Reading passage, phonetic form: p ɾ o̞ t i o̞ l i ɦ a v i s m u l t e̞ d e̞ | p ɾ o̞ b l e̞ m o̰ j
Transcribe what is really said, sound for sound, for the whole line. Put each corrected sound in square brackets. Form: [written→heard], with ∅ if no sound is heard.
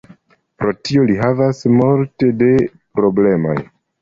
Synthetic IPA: p ɾ o̞ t i o̞ l i ɦ a v [i→a] s m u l t e̞ d e̞ | p ɾ o̞ b l e̞ m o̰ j

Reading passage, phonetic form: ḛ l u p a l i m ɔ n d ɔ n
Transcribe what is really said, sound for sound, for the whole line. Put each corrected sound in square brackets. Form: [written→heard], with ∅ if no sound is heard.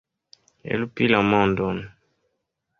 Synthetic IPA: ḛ l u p [a→i] l [i→a] m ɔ n d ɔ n

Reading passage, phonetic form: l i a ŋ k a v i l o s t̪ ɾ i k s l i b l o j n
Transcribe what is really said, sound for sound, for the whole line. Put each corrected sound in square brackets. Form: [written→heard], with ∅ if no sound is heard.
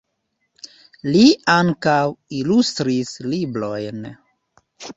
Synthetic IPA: l i a ŋ k a [v→w] i l [o→u] s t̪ ɾ i [k→∅] s l i b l o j n

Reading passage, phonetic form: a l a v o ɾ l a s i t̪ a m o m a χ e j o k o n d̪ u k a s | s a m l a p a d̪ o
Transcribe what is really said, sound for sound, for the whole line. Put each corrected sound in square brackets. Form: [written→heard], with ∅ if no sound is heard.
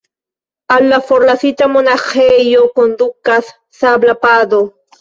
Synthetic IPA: a l a [v→f] o ɾ l a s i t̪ a m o [m→n] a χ e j o k o n d̪ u k a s | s a [m→b] l a p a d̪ o

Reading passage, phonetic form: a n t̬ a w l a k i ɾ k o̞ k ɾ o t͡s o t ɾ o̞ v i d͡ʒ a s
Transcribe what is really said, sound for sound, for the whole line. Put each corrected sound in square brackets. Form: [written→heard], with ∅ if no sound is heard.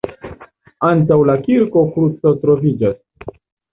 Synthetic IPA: a n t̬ a w l a k i ɾ k o̞ k ɾ [o→u] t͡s o t ɾ o̞ v i d͡ʒ a s

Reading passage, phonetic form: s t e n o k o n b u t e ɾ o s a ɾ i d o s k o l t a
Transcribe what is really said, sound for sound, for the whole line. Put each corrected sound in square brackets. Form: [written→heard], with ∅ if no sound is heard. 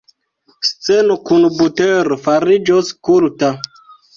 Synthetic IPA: s [t→t͡s] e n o k [o→u] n b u t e ɾ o [s→f] a ɾ i [d→d͡ʒ] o s k [o→u] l t a

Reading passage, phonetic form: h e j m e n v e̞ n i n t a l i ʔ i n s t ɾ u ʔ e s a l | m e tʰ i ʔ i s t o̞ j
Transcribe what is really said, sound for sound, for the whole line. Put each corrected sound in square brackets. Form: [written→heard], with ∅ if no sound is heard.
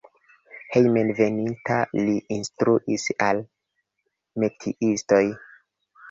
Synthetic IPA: h e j m e n v e̞ n i n t a l i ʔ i n s t ɾ u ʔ [e→i] s a l | m e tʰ i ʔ i s t o̞ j

